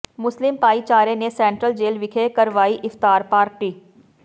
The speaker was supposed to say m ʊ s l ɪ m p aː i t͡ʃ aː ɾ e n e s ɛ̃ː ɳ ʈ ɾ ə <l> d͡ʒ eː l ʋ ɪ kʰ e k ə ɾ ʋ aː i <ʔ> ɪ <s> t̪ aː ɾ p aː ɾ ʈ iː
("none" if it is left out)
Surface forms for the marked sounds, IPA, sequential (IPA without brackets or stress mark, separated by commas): l, ʔ, f